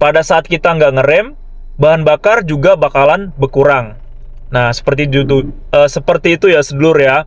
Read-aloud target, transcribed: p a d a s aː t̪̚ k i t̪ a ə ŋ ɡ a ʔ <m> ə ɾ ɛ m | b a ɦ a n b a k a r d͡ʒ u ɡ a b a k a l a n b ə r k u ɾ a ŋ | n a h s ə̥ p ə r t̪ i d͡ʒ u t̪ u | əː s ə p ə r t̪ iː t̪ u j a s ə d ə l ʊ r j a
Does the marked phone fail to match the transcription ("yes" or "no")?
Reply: yes